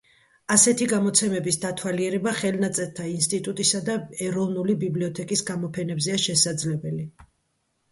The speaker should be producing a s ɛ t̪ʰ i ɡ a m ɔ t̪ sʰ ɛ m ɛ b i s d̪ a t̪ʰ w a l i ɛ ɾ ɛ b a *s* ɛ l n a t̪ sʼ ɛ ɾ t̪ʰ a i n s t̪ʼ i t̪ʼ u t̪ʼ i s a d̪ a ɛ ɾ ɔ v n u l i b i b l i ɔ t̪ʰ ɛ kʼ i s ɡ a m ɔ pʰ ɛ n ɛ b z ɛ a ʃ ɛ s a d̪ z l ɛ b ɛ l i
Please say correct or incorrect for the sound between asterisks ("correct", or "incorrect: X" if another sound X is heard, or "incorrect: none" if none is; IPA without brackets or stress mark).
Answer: incorrect: χ